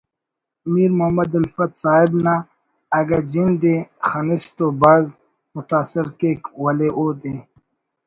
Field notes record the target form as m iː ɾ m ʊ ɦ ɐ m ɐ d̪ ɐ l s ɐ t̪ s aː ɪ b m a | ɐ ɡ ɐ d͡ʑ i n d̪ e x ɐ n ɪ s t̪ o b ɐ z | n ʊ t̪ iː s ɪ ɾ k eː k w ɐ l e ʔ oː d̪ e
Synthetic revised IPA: m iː ɾ m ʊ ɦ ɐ m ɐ d̪ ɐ l f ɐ t̪ s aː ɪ b n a | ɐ ɡ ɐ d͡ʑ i n d̪ e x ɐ n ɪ s t̪ o b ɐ z | m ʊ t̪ aː s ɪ ɾ k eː k w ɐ l e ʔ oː d̪ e

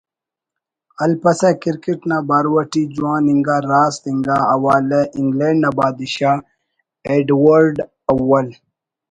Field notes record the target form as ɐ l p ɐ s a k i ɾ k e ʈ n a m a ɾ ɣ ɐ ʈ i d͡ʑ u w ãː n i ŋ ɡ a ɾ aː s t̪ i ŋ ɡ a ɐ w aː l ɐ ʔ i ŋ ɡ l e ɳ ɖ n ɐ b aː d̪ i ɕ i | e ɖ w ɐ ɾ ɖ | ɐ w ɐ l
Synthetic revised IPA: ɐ l p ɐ s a k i ɾ k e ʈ n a b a ɾ w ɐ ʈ i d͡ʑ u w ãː n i ŋ ɡ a ɾ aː s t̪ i ŋ ɡ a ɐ w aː l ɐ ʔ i ŋ ɡ l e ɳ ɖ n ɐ b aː d̪ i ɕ a | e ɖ w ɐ ɾ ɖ | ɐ w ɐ l

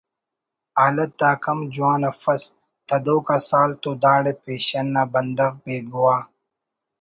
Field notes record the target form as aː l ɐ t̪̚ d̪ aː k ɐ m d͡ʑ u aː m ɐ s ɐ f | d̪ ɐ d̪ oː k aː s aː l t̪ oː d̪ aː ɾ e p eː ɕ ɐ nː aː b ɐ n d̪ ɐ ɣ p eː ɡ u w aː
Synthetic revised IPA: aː l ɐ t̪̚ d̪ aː k ɐ m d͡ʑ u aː n ɐ f ɐ s | t̪ ɐ d̪ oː k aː s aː l t̪ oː d̪ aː ɽ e p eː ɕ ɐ nː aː b ɐ n d̪ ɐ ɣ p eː ɡ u w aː

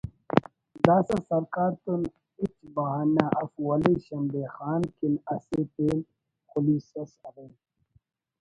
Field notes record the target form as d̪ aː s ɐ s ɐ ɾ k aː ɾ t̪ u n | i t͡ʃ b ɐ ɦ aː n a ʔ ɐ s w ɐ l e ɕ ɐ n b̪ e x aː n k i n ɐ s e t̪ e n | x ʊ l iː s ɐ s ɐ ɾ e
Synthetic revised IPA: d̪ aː s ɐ s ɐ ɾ k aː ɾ t̪ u n | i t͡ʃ b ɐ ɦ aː n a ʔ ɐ f w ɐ l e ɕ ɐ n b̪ e x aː n k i n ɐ s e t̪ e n | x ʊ l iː s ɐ s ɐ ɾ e

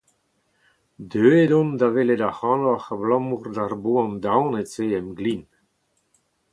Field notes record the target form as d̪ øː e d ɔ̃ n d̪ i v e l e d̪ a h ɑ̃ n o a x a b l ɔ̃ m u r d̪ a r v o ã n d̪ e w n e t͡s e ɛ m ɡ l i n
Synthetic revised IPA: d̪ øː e d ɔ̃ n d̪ a v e l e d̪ a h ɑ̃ n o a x a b l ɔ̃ m u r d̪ a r b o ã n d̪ a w n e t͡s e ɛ m ɡ l i n

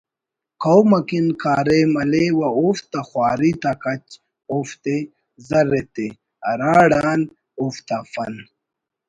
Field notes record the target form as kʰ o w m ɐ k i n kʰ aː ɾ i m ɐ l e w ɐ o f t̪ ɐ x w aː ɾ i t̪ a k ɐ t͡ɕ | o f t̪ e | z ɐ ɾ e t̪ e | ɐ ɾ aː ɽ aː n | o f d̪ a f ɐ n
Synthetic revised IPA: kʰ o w m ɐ k i n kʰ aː ɾ e m ɐ l e w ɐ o f t̪ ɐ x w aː ɾ i t̪ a k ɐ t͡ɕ | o f t̪ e | z ɐ ɾ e t̪ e | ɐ ɾ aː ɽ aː n | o f t̪ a f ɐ n

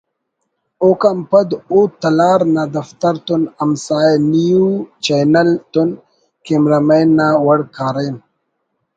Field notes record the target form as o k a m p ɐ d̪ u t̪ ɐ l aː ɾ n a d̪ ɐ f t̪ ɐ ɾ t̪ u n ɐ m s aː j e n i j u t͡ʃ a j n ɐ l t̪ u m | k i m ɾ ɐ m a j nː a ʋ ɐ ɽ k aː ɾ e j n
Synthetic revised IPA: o k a m p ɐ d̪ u t̪ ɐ l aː ɾ n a d̪ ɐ f t̪ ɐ ɾ t̪ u n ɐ m s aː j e n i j u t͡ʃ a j n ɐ l t̪ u n | k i m ɾ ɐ m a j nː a w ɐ ɽ k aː ɾ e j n

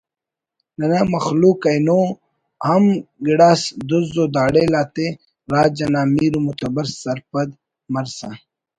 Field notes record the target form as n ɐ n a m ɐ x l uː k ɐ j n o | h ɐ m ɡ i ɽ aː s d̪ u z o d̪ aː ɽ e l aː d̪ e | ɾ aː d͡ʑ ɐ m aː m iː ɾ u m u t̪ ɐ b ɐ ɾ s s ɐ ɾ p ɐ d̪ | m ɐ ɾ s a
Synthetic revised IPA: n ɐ n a m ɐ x l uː k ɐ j n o | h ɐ m ɡ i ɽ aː s d̪ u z o d̪ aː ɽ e l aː t̪ e | ɾ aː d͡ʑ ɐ n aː m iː ɾ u m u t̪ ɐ b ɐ ɾ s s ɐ ɾ p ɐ d̪ | m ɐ ɾ s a

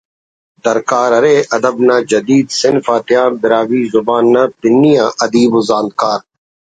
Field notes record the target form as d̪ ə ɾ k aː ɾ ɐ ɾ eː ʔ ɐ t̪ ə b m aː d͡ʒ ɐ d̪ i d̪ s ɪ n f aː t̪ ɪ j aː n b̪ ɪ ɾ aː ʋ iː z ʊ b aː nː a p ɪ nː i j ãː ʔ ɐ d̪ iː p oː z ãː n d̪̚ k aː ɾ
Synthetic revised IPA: d̪ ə ɾ k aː ɾ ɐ ɾ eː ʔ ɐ d̪ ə b n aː d͡ʒ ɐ d̪ iː d̪ s ɪ n f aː t̪ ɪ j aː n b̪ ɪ ɾ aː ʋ iː z ʊ b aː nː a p ɪ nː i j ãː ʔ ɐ d̪ iː b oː z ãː n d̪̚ k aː ɾ

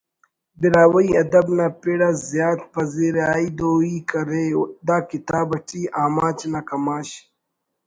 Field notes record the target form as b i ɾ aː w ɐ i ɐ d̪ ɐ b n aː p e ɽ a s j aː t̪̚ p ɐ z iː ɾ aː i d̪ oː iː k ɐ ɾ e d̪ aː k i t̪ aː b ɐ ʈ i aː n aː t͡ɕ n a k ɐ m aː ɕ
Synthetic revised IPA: b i ɾ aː w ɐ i ɐ d̪ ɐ b n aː p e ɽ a z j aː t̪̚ p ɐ z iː ɾ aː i d̪ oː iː k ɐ ɾ e d̪ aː k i t̪ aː b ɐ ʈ i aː m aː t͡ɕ n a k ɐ m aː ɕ

